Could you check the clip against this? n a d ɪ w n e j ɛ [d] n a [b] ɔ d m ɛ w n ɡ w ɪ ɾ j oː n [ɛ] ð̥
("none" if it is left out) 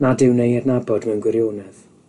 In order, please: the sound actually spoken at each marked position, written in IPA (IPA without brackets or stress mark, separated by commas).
d, b, ɛ